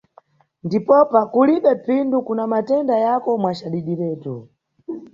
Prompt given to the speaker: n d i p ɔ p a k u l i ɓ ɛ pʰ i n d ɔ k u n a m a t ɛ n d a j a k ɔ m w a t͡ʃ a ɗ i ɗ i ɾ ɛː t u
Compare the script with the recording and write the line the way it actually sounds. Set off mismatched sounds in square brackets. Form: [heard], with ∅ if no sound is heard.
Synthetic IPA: n d i p ɔ p a k u l i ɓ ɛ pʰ i n d [u] k u n a m a t ɛ n d a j a k ɔ m w a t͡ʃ a ɗ i ɗ i ɾ ɛː t u